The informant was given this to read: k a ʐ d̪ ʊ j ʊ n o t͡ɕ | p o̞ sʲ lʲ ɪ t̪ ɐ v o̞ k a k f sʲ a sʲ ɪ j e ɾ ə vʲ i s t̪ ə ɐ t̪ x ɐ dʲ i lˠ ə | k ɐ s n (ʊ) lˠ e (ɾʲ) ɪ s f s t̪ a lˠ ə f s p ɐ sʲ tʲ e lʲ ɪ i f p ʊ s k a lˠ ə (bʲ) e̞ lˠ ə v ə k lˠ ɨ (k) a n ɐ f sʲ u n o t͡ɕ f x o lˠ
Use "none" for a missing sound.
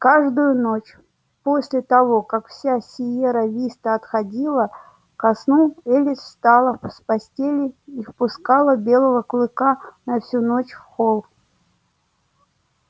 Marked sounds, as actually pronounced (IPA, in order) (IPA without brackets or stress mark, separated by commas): u, lʲ, bʲ, k